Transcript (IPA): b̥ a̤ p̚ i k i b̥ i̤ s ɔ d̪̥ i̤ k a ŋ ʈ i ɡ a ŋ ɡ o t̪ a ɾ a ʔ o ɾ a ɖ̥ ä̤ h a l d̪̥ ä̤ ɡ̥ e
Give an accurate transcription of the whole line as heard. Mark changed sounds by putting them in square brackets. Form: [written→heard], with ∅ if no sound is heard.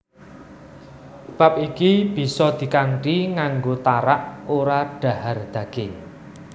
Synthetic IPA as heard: b̥ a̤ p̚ i k i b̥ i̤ s ɔ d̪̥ i̤ k a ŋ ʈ i [ɡ→ŋ] a ŋ ɡ o t̪ a ɾ a ʔ o ɾ a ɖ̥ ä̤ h a [l→r] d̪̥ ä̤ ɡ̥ e